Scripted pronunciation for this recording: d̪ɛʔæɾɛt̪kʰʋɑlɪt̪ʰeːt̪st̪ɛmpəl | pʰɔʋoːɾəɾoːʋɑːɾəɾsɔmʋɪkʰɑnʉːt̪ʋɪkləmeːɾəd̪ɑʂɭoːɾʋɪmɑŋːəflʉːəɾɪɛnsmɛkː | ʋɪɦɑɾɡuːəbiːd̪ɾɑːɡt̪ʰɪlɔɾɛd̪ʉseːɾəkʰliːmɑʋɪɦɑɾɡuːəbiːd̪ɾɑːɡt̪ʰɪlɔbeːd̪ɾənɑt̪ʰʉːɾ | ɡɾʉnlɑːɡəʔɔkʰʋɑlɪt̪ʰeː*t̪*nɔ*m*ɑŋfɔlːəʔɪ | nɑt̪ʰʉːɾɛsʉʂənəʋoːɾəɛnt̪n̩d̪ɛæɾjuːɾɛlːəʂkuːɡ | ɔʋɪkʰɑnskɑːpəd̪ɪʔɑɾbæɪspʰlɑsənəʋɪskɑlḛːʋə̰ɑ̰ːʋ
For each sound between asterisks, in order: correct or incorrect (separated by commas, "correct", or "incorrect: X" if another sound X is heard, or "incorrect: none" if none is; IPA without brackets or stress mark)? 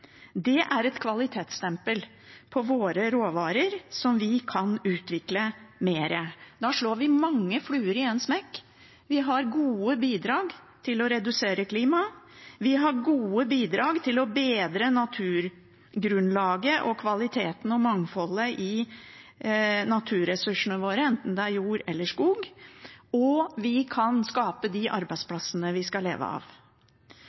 correct, correct